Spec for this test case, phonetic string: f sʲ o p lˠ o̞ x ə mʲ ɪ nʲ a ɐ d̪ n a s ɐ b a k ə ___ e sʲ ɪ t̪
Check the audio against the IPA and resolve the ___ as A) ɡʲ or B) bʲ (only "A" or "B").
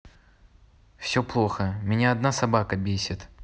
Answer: B